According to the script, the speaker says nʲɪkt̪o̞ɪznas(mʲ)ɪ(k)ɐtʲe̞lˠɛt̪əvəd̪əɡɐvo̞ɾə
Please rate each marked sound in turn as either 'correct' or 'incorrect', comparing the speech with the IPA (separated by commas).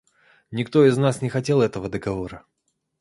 incorrect, incorrect